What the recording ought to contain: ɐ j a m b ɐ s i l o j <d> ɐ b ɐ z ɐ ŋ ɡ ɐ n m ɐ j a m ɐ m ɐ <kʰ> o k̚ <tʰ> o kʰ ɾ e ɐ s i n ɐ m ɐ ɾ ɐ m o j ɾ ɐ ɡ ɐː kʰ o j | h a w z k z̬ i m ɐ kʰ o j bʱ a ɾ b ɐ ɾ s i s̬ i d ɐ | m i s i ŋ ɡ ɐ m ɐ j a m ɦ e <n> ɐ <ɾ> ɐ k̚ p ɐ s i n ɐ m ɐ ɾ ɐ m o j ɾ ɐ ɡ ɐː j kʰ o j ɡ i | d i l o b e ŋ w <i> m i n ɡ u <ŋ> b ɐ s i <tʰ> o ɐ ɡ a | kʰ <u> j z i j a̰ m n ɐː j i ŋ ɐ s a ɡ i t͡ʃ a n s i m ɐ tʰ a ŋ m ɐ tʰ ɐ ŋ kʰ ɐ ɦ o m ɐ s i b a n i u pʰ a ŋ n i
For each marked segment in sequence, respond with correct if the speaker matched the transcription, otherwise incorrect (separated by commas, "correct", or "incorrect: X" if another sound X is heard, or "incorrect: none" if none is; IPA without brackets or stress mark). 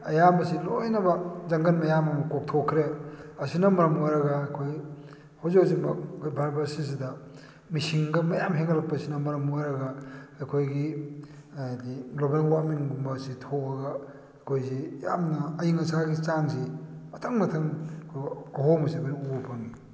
incorrect: n, incorrect: k, correct, incorrect: ŋ, incorrect: l, incorrect: a, incorrect: m, correct, incorrect: o